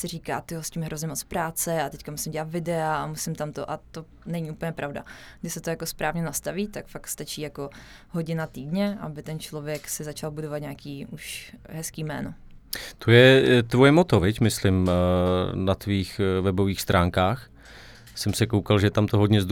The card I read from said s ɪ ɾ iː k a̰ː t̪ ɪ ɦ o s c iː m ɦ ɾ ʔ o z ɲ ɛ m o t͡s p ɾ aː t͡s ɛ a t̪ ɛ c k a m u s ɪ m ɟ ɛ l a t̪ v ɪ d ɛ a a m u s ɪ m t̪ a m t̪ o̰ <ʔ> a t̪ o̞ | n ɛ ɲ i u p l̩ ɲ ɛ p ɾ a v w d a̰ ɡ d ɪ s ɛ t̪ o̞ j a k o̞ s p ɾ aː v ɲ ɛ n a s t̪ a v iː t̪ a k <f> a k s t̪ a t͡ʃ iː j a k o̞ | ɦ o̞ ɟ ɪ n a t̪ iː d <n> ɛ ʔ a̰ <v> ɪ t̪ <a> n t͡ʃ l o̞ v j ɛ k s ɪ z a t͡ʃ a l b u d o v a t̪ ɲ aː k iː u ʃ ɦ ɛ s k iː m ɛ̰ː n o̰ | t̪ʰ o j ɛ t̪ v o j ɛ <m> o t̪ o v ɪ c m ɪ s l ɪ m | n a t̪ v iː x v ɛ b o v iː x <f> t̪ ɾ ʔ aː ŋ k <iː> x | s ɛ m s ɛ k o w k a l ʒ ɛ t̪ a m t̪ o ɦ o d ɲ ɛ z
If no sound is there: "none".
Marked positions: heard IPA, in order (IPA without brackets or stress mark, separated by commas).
ʔ, f, ɲ, b, ɛ, m, s, aː